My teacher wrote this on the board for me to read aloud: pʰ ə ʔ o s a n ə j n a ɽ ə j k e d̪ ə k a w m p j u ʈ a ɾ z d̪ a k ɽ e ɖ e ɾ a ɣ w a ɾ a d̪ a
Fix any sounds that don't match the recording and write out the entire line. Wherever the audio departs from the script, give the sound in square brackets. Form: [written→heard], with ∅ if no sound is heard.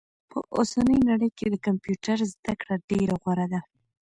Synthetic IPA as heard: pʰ ə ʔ o s a n ə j n a ɽ ə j k e d̪ ə k a [w→∅] m p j u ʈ a ɾ z d̪ a k ɽ [e→a] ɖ e ɾ a ɣ w a ɾ a d̪ a

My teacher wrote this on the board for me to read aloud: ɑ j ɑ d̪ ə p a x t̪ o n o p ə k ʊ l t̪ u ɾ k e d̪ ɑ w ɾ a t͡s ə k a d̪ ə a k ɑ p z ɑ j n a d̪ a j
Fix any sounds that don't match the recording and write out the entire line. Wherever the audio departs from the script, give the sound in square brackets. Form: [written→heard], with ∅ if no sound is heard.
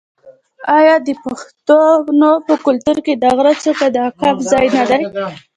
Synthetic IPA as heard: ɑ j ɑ d̪ ə p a x t̪ o n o p ə k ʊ l t̪ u ɾ k e d̪ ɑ [w→ɣ] ɾ a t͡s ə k a d̪ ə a k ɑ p z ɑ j n a d̪ a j

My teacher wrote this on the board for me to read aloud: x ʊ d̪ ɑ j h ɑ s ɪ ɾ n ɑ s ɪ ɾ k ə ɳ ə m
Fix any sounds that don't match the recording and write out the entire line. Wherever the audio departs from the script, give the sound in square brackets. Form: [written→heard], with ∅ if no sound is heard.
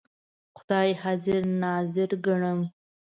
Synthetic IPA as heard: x ʊ d̪ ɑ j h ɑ [s→z] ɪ ɾ n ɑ [s→z] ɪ ɾ [k→ɡ] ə ɳ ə m

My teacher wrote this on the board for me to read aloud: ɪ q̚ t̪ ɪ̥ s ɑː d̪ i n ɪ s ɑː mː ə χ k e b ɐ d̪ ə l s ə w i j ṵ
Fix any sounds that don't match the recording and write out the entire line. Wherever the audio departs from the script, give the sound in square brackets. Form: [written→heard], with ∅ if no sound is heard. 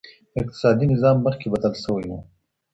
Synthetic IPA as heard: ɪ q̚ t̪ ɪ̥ s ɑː d̪ i n ɪ [s→z] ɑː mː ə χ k e b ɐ d̪ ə l s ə w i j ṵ

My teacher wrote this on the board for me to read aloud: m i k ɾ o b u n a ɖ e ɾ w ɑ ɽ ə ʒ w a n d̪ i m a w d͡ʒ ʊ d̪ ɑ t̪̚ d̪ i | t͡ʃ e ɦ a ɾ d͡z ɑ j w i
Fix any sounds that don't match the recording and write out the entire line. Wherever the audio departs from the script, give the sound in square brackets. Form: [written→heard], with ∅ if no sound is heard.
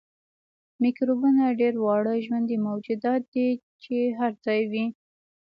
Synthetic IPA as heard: m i k ɾ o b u n a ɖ e ɾ w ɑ ɽ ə ʒ w a n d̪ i m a w d͡ʒ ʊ d̪ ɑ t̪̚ d̪ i | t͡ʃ e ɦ a ɾ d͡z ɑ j w i

